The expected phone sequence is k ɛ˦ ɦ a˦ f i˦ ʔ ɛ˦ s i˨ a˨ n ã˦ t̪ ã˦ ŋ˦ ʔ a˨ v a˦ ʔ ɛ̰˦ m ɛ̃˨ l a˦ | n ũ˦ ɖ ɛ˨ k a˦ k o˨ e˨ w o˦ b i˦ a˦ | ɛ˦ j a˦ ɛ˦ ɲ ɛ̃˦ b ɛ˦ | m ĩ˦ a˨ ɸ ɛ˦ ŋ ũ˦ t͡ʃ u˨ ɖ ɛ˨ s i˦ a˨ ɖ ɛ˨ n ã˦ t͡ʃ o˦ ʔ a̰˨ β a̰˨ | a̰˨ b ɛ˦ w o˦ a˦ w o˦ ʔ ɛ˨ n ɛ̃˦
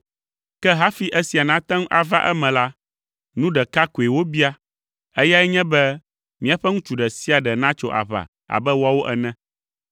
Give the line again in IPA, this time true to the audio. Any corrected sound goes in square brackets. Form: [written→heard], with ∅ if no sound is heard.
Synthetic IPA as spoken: k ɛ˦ ɦ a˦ f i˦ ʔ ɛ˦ s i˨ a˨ n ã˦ t̪ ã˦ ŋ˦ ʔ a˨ v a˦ ʔ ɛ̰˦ m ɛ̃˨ l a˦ | n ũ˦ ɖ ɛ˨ k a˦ k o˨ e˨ w o˦ b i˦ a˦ | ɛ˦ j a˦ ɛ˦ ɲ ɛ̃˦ b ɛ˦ | m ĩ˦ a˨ ɸ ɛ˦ ŋ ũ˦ t͡ʃ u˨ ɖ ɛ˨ s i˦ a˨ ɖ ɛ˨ n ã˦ t͡ʃ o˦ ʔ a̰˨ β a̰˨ | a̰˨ b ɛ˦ w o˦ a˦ w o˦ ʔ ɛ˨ n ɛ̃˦